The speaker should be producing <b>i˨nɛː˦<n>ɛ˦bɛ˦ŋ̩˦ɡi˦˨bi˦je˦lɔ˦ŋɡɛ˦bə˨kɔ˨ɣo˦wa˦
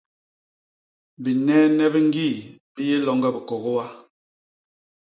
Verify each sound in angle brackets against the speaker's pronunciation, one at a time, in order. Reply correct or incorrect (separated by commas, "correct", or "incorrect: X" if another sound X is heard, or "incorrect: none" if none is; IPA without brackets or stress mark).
correct, correct